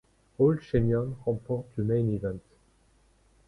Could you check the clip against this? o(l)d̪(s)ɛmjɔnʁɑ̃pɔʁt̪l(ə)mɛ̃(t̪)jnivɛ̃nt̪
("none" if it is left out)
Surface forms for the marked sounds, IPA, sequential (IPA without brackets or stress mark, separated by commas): l, ʃ, ə, none